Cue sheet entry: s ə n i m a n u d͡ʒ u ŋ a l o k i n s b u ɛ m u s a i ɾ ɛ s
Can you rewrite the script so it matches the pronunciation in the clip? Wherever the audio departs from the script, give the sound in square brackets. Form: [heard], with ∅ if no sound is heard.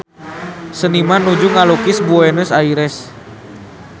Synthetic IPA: s ə n i m a n u d͡ʒ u ŋ a l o k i [∅] s b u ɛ [n] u s a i ɾ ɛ s